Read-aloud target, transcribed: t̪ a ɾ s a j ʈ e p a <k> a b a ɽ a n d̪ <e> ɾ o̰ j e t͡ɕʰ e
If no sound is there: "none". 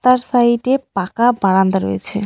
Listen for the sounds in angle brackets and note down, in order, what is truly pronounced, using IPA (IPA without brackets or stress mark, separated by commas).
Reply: k, a